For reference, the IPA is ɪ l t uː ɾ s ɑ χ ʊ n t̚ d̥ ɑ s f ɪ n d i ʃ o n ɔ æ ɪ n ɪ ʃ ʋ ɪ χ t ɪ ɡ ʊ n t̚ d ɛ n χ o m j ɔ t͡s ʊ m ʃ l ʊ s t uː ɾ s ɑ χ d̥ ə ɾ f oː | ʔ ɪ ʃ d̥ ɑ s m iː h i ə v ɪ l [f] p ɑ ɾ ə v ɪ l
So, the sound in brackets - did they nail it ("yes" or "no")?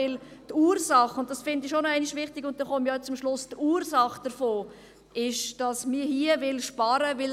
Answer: no